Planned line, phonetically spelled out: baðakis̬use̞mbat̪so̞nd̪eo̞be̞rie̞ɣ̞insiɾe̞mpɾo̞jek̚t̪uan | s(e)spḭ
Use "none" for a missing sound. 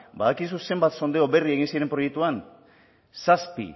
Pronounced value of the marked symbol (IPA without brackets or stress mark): a